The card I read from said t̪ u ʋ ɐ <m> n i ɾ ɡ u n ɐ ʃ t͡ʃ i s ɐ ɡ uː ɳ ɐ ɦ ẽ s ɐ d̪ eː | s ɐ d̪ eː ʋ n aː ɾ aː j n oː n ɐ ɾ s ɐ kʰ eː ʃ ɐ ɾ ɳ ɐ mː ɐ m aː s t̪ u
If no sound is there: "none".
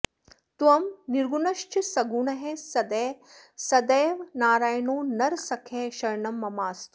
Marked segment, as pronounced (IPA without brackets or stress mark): m